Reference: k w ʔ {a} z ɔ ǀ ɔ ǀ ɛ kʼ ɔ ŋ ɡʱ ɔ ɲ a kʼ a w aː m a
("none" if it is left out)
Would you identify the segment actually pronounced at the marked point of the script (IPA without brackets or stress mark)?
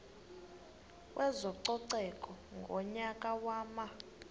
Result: ɛ